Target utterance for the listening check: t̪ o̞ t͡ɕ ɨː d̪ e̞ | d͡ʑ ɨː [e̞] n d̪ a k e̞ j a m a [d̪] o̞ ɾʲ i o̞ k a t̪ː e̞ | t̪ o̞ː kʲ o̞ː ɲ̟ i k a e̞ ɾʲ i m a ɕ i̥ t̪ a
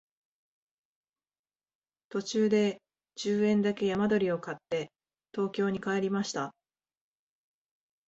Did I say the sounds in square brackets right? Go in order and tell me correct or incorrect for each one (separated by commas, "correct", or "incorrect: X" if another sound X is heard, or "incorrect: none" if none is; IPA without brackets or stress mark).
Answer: incorrect: ẽ̞, correct